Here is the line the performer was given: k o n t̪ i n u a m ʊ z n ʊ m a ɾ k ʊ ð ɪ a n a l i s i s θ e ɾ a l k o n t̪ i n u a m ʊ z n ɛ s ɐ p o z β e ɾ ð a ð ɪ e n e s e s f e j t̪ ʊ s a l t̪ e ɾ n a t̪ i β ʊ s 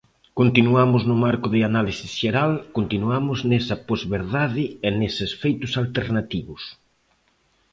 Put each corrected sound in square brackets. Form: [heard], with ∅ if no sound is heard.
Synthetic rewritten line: k o n t̪ i n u a m ʊ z n ʊ m a ɾ k ʊ ð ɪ a n a l i s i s [ʃ] e ɾ a l k o n t̪ i n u a m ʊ z n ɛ s ɐ p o z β e ɾ ð a ð ɪ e n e s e s f e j t̪ ʊ s a l t̪ e ɾ n a t̪ i β ʊ s

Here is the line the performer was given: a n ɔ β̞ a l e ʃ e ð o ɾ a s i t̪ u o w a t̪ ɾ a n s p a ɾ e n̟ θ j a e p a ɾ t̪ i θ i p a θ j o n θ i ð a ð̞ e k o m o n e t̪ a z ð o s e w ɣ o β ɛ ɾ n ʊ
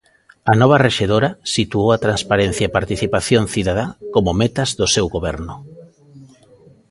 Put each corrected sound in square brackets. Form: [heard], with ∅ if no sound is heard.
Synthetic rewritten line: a n ɔ β̞ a [r] e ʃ e ð o ɾ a s i t̪ u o w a t̪ ɾ a n s p a ɾ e n̟ θ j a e p a ɾ t̪ i θ i p a θ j o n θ i ð a ð̞ [a] k o m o [m] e t̪ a z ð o s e w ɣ o β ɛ ɾ n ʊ

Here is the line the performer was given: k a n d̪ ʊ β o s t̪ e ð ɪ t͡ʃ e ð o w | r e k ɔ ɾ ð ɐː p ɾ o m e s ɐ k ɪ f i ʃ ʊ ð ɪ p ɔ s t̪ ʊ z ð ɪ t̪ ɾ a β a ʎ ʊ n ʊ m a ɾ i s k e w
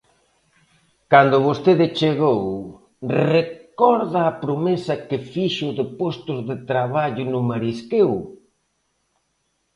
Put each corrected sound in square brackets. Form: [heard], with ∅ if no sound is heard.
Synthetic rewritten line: k a n d̪ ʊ β o s t̪ e ð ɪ t͡ʃ e [ɣ] o w | r e k ɔ ɾ ð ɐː p ɾ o m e s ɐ k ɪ f i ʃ ʊ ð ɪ p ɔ s t̪ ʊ z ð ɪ t̪ ɾ a β a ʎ ʊ n ʊ m a ɾ i s k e w

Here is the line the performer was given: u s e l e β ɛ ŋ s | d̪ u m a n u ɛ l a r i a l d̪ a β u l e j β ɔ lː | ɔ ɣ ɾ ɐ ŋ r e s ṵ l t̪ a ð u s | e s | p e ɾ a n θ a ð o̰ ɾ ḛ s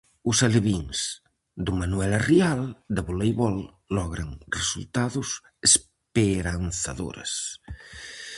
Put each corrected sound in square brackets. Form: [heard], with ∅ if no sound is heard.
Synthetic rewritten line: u s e l e β [i] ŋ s | d̪ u m a n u ɛ l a r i a l d̪ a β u l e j β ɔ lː | ɔ ɣ ɾ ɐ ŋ r e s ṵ l t̪ a ð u s | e s | p e ɾ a n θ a ð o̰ ɾ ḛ s

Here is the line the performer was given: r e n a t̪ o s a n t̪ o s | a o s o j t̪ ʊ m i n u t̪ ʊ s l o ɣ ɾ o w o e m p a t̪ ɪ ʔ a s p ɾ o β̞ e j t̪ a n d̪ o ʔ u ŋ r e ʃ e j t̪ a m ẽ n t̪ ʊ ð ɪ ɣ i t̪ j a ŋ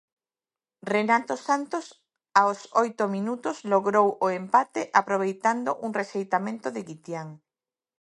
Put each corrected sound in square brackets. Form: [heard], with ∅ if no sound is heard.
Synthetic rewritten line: r e n a t̪ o s a n t̪ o s | a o s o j t̪ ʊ m i n u t̪ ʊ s l o ɣ ɾ o w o e m p a t̪ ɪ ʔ a [∅] p ɾ o β̞ e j t̪ a n d̪ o ʔ u ŋ r e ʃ e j t̪ a m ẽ n t̪ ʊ ð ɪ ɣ i t̪ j a ŋ

